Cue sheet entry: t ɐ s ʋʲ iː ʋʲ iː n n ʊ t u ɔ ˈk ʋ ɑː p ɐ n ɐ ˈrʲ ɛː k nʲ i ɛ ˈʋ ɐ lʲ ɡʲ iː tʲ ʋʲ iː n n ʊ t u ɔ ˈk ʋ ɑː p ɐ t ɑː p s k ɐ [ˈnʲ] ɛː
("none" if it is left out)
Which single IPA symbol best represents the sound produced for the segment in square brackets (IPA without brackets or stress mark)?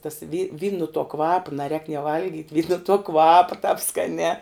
nʲ